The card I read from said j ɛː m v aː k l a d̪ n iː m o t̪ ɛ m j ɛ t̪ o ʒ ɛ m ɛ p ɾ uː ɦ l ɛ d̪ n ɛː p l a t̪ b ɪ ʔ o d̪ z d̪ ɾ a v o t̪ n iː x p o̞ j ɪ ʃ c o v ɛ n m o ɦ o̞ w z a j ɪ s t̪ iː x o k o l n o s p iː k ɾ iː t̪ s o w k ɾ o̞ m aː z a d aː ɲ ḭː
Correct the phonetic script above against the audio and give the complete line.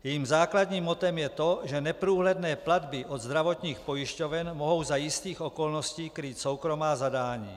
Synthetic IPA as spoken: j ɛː m z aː k l a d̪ ɲ iː m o t̪ ɛ m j ɛ t̪ o ʒ ɛ n ɛ p ɾ uː ɦ l ɛ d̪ n ɛː p l a d̪ b ɪ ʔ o d̪ z d̪ ɾ a v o t̪ ɲ iː x p o̞ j ɪ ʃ c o v ɛ n m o ɦ o̞ w z a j ɪ s t̪ iː x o k o l n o s c iː k ɾ iː t̪ s o w k ɾ o̞ m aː z a d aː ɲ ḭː